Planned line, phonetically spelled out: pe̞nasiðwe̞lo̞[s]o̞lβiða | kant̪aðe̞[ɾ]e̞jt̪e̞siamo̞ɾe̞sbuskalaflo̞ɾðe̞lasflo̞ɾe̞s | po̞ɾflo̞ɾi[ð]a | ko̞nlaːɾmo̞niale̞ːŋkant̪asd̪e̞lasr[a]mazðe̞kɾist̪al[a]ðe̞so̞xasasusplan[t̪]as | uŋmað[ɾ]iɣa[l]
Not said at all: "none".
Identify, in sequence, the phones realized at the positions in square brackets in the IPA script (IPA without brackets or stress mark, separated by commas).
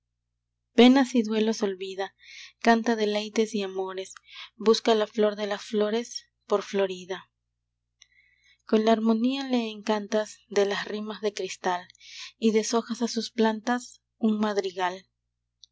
s, l, ð, i, i, t̪, ɾ, l